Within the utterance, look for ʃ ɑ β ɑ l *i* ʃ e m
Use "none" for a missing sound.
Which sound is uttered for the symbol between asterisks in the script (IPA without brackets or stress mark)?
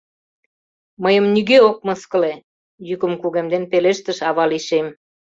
i